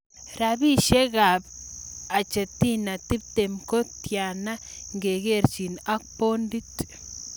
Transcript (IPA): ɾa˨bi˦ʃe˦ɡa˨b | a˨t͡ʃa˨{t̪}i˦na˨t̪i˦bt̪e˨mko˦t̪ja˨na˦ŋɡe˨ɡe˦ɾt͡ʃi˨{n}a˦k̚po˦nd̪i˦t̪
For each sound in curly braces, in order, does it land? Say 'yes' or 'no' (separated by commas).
yes, yes